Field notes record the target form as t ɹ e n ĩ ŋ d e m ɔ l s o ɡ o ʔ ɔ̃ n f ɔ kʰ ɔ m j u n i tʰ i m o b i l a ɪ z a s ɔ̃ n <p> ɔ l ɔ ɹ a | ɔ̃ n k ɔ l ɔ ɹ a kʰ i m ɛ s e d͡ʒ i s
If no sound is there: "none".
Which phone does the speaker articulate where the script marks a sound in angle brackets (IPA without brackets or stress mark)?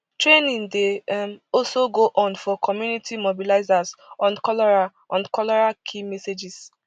k